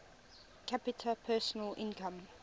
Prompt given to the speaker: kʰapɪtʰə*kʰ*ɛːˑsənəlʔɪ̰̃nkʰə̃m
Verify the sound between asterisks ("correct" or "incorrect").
incorrect